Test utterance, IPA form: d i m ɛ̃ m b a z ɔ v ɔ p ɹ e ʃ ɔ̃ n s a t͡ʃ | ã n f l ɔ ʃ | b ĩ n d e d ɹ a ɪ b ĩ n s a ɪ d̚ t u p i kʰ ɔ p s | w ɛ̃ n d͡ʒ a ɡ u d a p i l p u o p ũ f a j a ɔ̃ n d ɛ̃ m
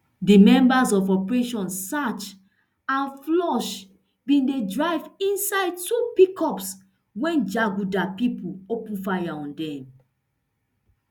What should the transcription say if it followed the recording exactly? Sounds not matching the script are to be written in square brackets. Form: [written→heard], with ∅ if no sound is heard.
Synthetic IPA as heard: d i m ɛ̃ m b a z ɔ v ɔ p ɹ e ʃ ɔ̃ n s a t͡ʃ | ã n f l ɔ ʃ | b ĩ n d e d ɹ a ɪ [b→v] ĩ n s a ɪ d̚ t u p i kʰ ɔ p s | w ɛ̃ n d͡ʒ a ɡ u d a p i [l→∅] p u o p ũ f a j a ɔ̃ n d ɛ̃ m